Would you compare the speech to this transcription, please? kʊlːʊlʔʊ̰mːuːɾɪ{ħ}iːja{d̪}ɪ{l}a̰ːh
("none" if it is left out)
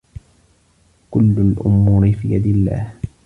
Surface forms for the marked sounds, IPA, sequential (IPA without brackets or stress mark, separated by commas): f, d̪, lː